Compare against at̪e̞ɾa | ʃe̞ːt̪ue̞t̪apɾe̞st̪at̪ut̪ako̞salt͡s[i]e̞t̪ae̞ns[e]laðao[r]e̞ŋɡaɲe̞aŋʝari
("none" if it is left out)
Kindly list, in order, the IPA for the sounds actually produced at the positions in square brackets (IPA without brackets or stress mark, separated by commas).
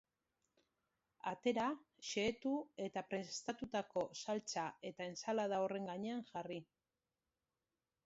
a, a, r